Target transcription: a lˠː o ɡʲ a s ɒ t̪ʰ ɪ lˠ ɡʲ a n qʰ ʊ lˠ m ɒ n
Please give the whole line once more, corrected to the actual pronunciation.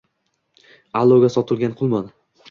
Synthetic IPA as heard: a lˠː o ɡʲ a s ɒ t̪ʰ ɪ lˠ ɡʲ a n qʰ ʊ lˠ m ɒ n